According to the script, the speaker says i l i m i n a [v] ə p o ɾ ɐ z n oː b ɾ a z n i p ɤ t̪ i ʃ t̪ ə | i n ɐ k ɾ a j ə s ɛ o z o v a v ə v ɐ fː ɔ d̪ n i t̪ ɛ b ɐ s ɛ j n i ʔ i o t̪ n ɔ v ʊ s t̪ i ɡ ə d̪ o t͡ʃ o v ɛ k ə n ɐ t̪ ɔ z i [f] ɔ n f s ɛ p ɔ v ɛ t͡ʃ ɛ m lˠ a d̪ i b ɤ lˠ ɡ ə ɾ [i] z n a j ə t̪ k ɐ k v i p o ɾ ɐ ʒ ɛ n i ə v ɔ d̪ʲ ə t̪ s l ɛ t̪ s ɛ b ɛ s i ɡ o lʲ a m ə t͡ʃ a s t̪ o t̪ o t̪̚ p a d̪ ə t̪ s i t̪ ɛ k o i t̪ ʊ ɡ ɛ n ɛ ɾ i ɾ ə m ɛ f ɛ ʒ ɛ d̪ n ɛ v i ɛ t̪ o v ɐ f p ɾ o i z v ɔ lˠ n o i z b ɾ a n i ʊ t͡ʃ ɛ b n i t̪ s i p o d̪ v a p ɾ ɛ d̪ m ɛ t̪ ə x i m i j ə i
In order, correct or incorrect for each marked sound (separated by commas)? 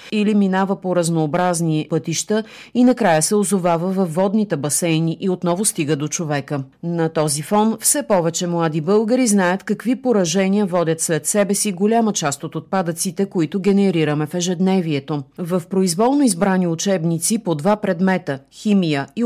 correct, correct, correct